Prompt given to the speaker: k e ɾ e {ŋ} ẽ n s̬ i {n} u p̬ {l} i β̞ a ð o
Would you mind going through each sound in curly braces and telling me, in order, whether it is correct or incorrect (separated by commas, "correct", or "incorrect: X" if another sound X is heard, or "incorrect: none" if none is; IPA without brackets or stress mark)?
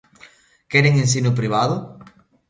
correct, correct, incorrect: ɾ